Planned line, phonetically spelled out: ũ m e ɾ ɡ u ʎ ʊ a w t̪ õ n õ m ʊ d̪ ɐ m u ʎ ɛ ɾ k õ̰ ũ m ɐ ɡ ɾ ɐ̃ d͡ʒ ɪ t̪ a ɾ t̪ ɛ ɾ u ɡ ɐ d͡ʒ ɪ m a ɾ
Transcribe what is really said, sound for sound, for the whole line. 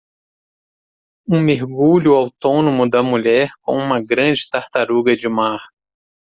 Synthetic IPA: ũ m e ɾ ɡ u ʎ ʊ a w t̪ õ n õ m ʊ d̪ ɐ m u ʎ ɛ ɾ k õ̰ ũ m ɐ ɡ ɾ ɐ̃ d͡ʒ ɪ t̪ a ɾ t̪ a ɾ u ɡ ɐ d͡ʒ ɪ m a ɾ